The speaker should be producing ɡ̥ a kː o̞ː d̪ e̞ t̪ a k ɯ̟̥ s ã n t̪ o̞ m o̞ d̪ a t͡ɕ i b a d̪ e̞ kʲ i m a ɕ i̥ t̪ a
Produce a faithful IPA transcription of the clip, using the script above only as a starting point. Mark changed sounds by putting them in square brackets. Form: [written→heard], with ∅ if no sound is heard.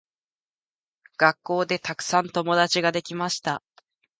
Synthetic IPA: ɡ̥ a kː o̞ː d̪ e̞ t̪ a k ɯ̟̥ s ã n t̪ o̞ m o̞ d̪ a t͡ɕ i [b→ɡ] a d̪ e̞ kʲ i m a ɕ i̥ t̪ a

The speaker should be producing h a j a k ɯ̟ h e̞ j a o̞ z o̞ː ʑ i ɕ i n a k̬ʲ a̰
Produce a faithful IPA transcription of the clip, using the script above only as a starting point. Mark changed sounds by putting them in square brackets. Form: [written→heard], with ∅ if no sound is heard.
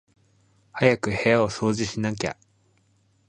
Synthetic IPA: h a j a k ɯ̟ h e̞ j a o̞ [z→s] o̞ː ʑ i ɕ i n a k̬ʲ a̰

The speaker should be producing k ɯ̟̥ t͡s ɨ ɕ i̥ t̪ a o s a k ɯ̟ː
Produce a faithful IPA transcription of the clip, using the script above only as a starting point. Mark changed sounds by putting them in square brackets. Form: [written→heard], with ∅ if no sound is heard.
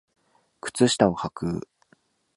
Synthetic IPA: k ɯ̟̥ t͡s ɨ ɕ i̥ t̪ a o [s→h] a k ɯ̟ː

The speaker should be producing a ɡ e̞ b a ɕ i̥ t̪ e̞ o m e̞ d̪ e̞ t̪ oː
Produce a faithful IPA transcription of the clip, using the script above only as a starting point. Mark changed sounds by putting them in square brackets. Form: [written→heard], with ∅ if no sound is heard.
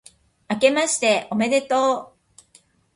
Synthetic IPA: a [ɡ→k] e̞ [b→m] a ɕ i̥ t̪ e̞ o m e̞ d̪ e̞ t̪ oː

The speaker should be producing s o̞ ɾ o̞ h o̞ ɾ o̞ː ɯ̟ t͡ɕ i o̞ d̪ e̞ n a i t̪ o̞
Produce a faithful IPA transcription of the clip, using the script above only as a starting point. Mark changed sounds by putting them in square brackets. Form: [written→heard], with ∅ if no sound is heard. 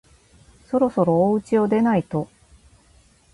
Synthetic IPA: s o̞ ɾ o̞ [h→s] o̞ ɾ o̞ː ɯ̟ t͡ɕ i o̞ d̪ e̞ n a i t̪ o̞

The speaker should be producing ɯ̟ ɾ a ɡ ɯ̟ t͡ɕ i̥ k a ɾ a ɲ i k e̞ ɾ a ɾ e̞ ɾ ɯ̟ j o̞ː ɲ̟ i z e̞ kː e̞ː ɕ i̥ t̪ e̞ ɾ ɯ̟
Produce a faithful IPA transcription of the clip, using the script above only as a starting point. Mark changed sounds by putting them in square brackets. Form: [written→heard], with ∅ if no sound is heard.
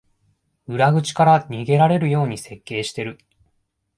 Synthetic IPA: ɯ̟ ɾ a ɡ ɯ̟ t͡ɕ i̥ k a ɾ a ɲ i [k→ɡ] e̞ ɾ a ɾ e̞ ɾ ɯ̟ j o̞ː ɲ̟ i [z→s] e̞ kː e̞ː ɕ i̥ t̪ e̞ ɾ ɯ̟

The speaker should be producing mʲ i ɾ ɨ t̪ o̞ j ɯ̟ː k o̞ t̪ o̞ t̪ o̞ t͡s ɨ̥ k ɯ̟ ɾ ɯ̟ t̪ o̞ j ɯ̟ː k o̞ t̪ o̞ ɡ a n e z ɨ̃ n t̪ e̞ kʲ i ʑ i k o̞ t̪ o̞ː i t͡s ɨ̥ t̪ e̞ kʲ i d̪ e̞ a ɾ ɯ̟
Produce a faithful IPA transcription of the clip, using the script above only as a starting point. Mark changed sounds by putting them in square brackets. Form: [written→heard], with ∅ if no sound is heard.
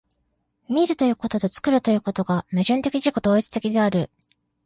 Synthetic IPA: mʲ i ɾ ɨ t̪ o̞ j ɯ̟ː k o̞ t̪ o̞ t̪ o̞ t͡s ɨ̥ k ɯ̟ ɾ ɯ̟ t̪ o̞ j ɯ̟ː k o̞ t̪ o̞ ɡ a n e [z→ʑ] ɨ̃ n t̪ e̞ kʲ i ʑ i k o̞ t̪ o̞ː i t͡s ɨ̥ t̪ e̞ kʲ i d̪ e̞ a ɾ ɯ̟

